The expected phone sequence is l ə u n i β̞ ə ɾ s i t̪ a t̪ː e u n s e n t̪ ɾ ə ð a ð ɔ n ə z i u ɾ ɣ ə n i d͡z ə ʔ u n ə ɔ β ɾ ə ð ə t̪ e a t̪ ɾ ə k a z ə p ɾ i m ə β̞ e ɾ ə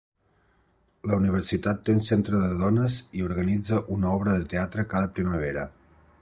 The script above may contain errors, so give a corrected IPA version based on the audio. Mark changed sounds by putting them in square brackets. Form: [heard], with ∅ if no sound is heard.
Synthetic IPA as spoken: l ə u n i β̞ ə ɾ s i t̪ a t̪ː e u n s e n t̪ ɾ ə ð [ə] ð ɔ n ə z i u ɾ ɣ ə n i d͡z ə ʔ u n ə ɔ β ɾ ə ð ə t̪ e a t̪ ɾ ə k a [ð] ə p ɾ i m ə β̞ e ɾ ə